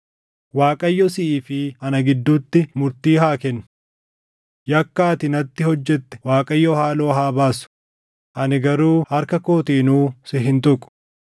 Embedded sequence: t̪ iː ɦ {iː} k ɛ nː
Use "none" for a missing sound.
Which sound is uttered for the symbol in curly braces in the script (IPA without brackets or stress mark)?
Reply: aː